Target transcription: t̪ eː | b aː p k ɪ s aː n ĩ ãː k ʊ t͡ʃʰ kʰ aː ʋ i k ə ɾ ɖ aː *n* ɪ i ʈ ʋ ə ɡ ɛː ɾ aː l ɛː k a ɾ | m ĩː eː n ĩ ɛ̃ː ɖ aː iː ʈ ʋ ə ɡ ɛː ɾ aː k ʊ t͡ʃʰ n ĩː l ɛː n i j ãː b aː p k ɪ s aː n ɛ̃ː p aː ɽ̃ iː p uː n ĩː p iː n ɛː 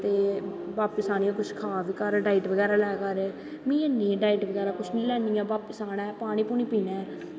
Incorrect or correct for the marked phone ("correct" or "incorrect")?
incorrect